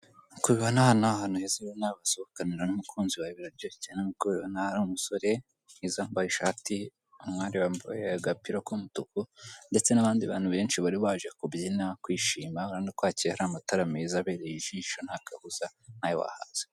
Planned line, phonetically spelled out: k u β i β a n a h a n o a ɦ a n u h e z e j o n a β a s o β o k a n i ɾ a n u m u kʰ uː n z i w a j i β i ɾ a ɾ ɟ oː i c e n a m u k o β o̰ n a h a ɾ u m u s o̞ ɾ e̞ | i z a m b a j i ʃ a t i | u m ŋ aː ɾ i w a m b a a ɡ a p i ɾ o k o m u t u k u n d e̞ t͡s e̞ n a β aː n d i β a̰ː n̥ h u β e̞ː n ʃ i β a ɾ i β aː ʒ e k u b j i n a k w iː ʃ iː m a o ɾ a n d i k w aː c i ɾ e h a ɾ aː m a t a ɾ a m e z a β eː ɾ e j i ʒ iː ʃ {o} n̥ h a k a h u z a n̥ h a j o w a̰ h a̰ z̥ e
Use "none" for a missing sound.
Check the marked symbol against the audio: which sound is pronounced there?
o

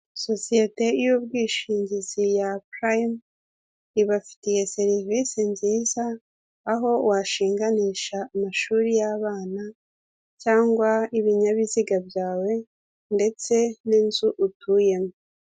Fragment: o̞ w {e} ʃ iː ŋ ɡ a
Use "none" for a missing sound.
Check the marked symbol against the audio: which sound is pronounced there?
a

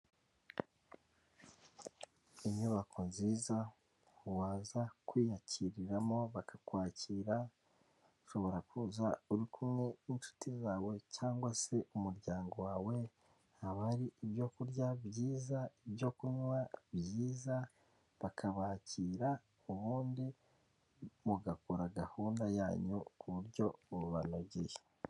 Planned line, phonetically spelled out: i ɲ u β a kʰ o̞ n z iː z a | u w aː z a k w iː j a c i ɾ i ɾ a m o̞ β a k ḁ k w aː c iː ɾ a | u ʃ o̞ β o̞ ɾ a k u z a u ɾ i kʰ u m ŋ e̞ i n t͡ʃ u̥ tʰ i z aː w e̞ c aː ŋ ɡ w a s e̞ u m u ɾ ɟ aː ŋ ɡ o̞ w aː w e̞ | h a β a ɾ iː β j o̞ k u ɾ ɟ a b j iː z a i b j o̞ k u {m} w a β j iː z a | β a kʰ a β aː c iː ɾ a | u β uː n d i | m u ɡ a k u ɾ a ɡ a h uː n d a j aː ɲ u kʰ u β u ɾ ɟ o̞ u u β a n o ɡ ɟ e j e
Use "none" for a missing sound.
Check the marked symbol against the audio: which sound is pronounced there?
ɲ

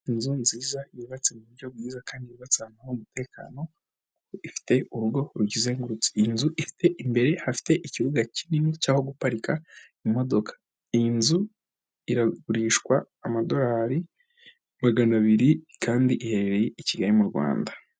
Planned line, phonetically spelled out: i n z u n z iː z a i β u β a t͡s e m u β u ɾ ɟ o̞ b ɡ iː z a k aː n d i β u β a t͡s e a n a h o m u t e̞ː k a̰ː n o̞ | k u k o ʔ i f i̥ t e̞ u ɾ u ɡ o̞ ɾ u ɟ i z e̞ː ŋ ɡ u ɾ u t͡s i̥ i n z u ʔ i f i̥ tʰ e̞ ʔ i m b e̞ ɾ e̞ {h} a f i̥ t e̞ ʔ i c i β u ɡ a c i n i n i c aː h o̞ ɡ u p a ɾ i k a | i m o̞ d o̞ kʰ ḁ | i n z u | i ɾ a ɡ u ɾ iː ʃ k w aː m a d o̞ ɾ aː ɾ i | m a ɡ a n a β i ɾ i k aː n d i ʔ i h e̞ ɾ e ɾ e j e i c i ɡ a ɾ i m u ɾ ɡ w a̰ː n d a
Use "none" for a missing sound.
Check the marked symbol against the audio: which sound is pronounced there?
h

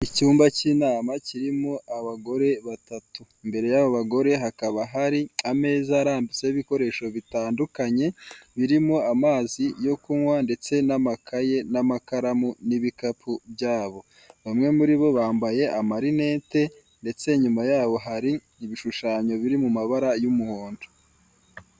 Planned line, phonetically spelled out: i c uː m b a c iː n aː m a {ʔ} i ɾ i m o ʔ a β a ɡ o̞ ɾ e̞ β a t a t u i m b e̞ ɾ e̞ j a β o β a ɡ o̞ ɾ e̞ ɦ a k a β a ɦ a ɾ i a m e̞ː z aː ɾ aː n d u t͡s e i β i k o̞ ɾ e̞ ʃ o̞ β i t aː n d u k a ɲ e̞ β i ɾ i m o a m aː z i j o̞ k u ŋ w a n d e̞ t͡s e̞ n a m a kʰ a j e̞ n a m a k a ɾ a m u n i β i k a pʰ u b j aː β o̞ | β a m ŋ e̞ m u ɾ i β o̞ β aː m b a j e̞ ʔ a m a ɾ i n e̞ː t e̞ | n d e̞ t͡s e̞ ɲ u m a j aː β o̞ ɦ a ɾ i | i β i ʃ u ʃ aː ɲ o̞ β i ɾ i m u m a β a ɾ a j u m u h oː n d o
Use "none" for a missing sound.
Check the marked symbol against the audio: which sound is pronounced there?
c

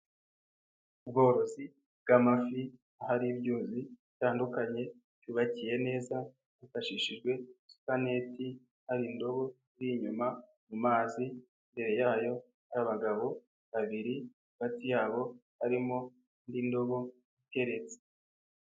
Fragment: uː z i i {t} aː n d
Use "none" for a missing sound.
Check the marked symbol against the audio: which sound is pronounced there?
t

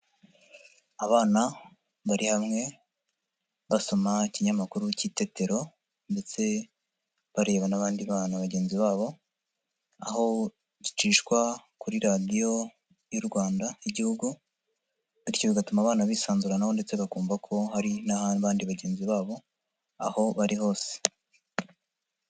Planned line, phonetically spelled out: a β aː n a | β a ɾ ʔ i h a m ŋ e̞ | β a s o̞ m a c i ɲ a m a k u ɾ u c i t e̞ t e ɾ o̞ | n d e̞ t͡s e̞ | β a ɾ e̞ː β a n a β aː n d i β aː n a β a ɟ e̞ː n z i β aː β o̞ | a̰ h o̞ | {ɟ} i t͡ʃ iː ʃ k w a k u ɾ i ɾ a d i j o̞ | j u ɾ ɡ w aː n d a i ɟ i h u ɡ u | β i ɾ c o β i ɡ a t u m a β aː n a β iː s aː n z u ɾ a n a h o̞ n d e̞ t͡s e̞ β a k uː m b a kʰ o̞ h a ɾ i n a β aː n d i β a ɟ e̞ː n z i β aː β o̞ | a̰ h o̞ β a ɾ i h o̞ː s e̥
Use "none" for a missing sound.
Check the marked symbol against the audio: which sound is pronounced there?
ɟ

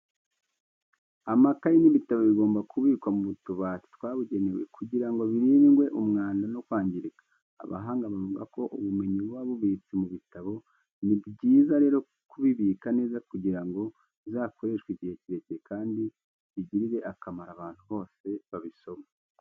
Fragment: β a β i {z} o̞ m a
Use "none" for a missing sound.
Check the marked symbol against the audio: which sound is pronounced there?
s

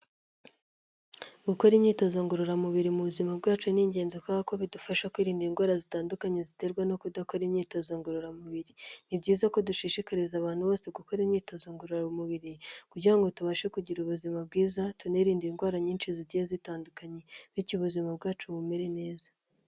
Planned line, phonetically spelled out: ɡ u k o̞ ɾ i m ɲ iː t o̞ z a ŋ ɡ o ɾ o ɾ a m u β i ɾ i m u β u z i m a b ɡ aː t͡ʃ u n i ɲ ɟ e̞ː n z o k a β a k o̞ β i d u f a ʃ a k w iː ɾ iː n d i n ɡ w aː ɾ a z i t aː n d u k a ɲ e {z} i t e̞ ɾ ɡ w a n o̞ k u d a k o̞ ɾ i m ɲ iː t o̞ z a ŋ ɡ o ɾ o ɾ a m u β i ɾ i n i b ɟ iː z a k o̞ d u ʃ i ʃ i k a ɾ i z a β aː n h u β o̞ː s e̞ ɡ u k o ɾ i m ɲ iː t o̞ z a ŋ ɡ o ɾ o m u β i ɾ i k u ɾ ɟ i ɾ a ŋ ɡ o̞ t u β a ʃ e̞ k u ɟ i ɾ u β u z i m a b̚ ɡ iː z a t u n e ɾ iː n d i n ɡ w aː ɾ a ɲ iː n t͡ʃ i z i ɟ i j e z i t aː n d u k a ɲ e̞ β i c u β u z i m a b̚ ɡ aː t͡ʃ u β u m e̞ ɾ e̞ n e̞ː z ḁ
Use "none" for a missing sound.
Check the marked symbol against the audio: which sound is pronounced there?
z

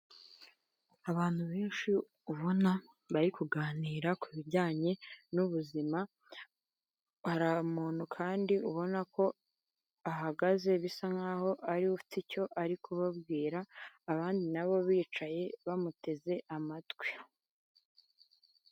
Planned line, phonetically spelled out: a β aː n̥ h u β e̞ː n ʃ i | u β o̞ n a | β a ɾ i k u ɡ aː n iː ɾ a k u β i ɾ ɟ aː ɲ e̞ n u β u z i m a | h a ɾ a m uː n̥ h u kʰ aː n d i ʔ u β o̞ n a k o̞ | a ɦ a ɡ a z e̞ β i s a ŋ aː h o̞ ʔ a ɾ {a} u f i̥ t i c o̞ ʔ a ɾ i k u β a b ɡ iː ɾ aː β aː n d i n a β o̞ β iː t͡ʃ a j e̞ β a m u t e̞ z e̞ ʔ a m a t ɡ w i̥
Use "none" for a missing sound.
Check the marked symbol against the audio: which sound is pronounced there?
i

